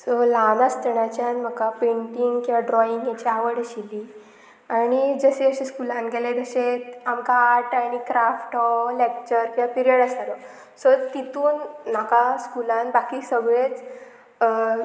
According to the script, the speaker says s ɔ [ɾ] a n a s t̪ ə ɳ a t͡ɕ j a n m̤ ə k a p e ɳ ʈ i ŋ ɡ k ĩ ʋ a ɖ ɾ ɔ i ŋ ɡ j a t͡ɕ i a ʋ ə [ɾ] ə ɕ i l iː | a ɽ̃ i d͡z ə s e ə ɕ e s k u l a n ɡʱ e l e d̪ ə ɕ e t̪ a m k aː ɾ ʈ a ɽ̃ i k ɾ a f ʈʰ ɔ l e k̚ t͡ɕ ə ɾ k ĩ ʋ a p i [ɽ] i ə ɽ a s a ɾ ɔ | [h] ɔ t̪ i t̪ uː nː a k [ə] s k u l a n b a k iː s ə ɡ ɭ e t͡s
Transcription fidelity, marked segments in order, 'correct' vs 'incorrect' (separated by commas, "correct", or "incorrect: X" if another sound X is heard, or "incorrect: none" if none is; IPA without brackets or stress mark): incorrect: l, incorrect: ɽ, incorrect: ɾ, incorrect: s, incorrect: a